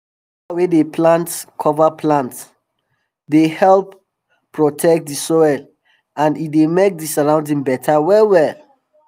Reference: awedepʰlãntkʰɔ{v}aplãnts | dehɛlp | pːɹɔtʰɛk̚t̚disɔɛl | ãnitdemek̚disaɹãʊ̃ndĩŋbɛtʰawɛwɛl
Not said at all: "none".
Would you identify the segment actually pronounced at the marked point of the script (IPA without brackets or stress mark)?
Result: v